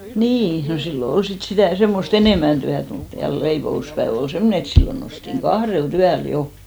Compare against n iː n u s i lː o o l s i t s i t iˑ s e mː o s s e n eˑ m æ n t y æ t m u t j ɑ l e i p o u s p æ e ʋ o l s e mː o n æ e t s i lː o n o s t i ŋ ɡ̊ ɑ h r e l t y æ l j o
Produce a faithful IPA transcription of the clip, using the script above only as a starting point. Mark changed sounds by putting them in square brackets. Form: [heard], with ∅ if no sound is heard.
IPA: n iː n [o] s i lː o o l s i t s i t [æˑ] s e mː o s [t] e n eˑ m æ n t y æ t m u t j ɑ l e i p o u s p æ e ʋ o l s e mː o n [e] e t s i lː o n o s t i ŋ ɡ̊ ɑ h r e l t y æ l j o